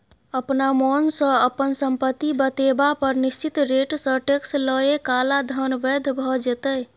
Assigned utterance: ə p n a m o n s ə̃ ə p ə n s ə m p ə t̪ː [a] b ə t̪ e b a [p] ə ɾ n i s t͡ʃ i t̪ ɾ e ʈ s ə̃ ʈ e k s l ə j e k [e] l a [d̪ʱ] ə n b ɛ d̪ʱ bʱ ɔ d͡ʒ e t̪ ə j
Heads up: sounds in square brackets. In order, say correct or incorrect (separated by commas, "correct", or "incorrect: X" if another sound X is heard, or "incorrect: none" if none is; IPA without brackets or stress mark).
incorrect: i, correct, incorrect: a, correct